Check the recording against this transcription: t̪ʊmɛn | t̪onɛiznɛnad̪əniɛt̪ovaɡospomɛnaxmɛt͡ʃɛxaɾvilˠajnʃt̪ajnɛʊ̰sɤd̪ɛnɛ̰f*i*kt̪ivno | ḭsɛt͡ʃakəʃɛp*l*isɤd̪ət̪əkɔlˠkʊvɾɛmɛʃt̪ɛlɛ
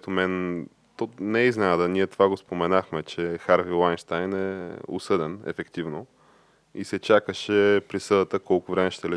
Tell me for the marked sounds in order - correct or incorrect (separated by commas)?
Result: incorrect, incorrect